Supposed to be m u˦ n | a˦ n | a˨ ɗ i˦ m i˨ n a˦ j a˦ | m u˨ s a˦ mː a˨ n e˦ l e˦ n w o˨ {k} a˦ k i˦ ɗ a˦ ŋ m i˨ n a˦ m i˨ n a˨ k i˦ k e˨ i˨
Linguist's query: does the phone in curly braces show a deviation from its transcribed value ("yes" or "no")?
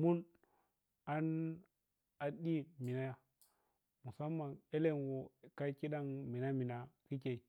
no